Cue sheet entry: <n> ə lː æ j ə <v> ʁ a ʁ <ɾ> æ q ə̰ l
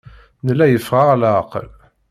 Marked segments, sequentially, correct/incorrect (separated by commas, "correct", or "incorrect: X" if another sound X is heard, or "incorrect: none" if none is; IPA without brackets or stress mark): correct, incorrect: f, incorrect: l